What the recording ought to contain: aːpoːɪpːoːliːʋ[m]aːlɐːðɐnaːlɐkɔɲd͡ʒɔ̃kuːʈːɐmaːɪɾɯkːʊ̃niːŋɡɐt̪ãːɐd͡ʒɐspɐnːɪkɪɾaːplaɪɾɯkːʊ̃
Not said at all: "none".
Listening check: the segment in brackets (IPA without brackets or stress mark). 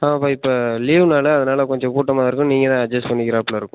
n